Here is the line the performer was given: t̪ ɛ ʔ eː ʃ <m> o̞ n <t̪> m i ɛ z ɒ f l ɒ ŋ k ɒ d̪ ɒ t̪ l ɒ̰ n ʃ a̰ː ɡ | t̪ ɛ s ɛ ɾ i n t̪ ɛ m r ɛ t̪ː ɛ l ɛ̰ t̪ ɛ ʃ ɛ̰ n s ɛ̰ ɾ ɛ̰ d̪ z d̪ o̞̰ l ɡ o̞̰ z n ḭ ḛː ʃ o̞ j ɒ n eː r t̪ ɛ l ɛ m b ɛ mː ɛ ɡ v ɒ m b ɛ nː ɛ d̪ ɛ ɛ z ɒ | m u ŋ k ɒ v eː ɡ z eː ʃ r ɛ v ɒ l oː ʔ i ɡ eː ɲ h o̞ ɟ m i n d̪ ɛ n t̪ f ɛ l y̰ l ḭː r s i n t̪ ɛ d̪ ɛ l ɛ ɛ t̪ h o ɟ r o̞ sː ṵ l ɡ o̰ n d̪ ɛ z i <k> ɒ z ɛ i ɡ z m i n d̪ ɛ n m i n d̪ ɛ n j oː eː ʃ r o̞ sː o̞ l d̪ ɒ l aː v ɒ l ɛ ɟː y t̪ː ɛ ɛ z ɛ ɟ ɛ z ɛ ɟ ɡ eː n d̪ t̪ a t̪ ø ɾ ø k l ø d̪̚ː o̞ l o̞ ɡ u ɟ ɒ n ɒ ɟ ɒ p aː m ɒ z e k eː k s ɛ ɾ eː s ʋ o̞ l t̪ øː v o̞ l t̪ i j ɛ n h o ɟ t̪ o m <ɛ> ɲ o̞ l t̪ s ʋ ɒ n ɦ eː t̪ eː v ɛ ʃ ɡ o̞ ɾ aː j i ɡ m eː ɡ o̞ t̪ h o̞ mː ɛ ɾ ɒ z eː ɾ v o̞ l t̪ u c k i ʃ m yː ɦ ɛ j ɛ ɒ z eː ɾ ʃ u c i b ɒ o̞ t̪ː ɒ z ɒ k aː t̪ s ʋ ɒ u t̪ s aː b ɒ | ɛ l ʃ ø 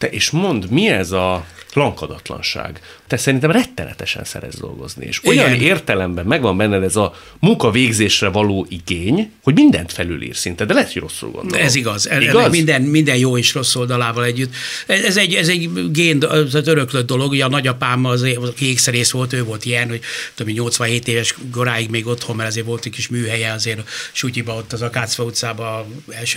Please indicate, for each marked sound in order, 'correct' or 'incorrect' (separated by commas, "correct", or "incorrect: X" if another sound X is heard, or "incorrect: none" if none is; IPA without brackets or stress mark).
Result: correct, incorrect: d̪, incorrect: ɡ, incorrect: i